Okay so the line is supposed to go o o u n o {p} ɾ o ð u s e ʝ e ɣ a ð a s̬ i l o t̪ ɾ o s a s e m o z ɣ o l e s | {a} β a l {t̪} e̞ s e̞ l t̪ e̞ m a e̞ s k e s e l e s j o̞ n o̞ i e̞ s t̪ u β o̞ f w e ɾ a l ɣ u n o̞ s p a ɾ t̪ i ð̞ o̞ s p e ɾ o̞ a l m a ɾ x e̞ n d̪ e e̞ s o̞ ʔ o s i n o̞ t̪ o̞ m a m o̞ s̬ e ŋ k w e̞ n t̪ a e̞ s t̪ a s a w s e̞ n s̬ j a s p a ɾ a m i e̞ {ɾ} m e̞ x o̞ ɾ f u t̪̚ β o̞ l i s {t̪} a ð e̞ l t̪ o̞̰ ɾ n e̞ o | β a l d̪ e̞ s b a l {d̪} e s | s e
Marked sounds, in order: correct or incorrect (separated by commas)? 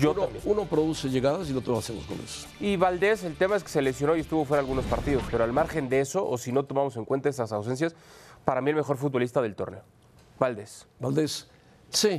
correct, incorrect, incorrect, incorrect, correct, correct